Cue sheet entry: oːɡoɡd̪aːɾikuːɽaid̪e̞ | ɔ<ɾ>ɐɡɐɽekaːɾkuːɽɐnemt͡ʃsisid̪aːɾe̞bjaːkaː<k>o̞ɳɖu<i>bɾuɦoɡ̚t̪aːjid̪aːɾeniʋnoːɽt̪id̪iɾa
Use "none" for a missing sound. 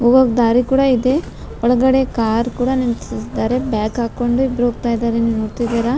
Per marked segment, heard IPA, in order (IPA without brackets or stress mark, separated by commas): ɭ, k, i